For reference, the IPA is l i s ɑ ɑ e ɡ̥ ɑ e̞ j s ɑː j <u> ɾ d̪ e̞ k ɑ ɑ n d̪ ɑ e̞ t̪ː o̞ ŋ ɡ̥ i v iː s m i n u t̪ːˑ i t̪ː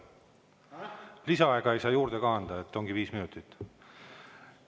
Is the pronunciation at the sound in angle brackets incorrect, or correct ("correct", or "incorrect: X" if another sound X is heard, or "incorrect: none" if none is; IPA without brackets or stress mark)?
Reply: incorrect: uː